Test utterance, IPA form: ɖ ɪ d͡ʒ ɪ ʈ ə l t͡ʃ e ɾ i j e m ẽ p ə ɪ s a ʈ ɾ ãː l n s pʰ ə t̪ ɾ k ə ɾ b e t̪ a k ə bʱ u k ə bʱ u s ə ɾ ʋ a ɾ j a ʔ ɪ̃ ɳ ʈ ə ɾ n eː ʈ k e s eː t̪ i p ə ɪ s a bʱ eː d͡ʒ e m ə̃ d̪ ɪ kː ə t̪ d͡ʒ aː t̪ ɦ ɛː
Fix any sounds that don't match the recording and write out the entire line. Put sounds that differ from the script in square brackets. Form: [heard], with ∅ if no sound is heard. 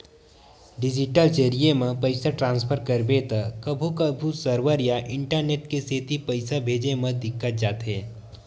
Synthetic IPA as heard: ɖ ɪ d͡ʒ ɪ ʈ ə l t͡ʃ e ɾ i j e m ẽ p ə ɪ s a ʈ ɾ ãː [∅] n s pʰ ə [∅] ɾ k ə ɾ b e t̪ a k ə bʱ u k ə bʱ u s ə ɾ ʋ [ə] ɾ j a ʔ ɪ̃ ɳ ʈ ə ɾ n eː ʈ k e s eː t̪ i p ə ɪ s a bʱ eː d͡ʒ e m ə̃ d̪ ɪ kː ə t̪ d͡ʒ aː t̪ ɦ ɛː

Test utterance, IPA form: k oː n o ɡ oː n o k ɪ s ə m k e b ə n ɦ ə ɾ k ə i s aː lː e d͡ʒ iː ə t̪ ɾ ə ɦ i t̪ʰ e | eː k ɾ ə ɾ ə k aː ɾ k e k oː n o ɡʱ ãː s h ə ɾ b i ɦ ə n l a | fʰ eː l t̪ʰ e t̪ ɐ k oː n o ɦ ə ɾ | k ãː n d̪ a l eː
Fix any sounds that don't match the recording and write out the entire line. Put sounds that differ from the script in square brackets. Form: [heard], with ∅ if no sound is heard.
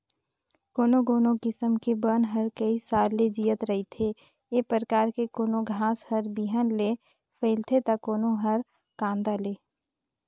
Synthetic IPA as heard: k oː n o ɡ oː n o k ɪ s ə m k e b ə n ɦ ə ɾ k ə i s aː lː e d͡ʒ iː ə t̪ ɾ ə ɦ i t̪ʰ e | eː [p] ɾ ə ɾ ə k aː ɾ k e k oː n o ɡʱ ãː s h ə ɾ b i ɦ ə n l [e] | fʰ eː l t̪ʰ e t̪ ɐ k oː n o ɦ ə ɾ | k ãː n d̪ a l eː

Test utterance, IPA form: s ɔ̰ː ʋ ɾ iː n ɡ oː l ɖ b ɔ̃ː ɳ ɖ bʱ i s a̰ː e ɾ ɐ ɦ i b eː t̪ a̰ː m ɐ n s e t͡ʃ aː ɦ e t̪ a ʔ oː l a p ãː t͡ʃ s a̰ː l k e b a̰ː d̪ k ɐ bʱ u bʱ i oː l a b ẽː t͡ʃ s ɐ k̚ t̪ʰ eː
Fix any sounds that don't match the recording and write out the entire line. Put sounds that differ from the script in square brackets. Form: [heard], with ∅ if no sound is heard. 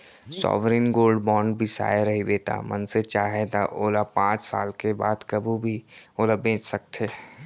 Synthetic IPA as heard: s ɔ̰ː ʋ ɾ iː n ɡ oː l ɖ b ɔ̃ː ɳ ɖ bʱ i s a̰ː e ɾ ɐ ɦ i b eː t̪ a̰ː m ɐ n s e t͡ʃ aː ɦ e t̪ a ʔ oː l a p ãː t͡ʃ s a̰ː l k e b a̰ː d̪ k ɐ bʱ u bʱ i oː l a b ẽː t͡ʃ s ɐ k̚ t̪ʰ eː

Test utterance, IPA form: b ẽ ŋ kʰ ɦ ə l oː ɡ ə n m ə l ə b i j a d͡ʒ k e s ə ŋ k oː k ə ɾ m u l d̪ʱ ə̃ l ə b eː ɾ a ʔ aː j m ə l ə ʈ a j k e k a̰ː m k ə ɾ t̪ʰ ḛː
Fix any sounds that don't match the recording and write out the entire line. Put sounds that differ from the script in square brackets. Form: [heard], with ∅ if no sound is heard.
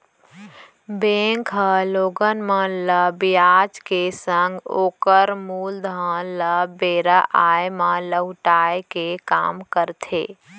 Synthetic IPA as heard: b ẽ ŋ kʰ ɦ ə l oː ɡ ə n m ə l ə b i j a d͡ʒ k e s ə ŋ [ɡ] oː k ə ɾ m u l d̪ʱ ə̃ l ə b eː ɾ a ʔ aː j m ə l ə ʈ a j k e k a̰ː m k ə ɾ t̪ʰ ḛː

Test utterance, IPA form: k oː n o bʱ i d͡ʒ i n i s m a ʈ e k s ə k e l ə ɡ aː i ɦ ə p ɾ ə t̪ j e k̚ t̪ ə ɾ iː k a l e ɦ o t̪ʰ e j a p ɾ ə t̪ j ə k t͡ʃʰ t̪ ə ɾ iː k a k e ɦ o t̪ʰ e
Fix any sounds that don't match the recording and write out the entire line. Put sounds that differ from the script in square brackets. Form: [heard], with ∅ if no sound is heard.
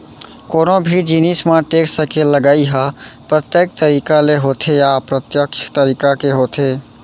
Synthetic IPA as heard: k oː n o bʱ i d͡ʒ i n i s m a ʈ e k s ə k e l ə ɡ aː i ɦ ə p ɾ ə t̪ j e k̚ t̪ ə ɾ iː k a l e ɦ o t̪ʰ e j a p ɾ ə t̪ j ə k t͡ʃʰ t̪ ə ɾ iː k a k e ɦ o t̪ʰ e

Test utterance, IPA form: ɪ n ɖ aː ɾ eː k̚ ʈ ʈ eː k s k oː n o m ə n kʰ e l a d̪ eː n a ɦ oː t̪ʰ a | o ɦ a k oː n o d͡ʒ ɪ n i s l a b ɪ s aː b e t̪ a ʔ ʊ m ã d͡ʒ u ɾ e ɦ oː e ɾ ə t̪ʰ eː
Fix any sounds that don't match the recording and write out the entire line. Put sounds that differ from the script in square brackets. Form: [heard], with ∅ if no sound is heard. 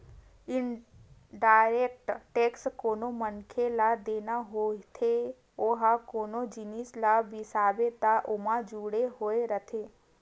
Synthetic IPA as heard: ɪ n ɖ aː ɾ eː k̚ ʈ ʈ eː k s k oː n o m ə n kʰ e l a d̪ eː n a ɦ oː t̪ʰ [e] | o ɦ a k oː n o d͡ʒ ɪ n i s l a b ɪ s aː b e t̪ a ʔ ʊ m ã d͡ʒ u [ɽ] e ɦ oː e ɾ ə t̪ʰ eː

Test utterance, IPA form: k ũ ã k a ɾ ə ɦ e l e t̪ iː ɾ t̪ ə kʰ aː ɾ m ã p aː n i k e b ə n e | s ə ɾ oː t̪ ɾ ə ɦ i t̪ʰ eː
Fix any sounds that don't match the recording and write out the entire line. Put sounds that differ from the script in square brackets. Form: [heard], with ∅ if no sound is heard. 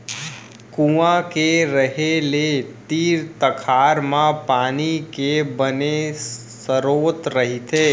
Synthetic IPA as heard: k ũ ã k [e] ɾ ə ɦ e l e t̪ iː ɾ t̪ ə kʰ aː ɾ m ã p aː n i k e b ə n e | s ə ɾ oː t̪ ɾ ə ɦ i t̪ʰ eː

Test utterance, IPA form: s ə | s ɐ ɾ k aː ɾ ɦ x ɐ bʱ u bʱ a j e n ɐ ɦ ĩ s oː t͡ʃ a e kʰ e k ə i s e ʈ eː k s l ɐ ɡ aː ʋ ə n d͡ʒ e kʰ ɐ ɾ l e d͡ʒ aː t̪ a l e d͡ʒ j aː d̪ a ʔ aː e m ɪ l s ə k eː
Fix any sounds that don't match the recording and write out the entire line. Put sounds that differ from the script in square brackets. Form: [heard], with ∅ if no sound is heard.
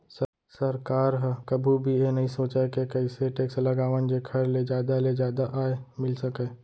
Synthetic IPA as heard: s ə | s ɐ ɾ k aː ɾ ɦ [k] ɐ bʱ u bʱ [i] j e n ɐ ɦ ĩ s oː t͡ʃ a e [k] e k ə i s e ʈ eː k s l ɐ ɡ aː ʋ ə n d͡ʒ e kʰ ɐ ɾ l e d͡ʒ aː [d̪] a l e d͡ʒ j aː d̪ a ʔ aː e m ɪ l s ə k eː

